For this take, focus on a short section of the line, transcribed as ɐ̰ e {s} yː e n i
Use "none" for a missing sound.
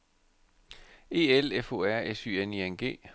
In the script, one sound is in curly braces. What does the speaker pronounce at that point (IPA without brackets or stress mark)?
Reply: s